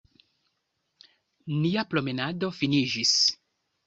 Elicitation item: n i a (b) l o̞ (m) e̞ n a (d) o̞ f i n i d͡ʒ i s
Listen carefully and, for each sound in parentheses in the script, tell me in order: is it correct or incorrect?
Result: incorrect: p, correct, correct

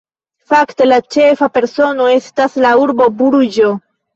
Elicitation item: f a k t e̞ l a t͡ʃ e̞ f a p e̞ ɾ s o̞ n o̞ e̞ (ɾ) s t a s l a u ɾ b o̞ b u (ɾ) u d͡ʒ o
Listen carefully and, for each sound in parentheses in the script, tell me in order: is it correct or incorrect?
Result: incorrect: none, correct

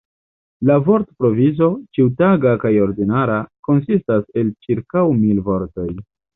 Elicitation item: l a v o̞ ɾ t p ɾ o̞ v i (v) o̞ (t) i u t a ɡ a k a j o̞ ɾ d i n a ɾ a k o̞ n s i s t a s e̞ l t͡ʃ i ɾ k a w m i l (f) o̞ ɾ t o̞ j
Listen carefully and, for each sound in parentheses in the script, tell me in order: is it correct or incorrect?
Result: incorrect: z, incorrect: t͡ʃ, incorrect: v

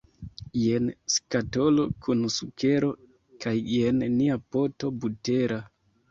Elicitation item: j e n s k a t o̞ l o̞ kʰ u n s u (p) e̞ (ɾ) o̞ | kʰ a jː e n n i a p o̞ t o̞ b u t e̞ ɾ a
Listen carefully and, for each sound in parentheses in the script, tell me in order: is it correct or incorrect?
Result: incorrect: k, correct

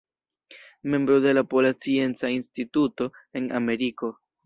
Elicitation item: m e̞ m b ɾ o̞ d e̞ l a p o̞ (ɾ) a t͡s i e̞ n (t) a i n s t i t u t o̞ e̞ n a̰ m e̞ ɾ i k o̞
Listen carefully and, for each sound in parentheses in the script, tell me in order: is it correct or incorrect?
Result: incorrect: l, incorrect: t͡s

